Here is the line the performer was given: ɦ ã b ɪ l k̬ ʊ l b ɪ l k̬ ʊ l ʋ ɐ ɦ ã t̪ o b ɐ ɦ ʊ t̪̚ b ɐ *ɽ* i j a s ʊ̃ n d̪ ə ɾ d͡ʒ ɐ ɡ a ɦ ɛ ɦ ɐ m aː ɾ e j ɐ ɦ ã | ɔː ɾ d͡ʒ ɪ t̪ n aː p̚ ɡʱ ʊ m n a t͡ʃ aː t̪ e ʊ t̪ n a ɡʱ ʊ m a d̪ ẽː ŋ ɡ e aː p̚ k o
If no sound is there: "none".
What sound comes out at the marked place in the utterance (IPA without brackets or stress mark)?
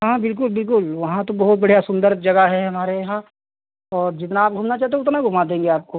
ɽ